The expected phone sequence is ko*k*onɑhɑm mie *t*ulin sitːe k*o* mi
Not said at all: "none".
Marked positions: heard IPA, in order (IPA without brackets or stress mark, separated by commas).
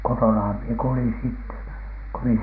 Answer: t, k, o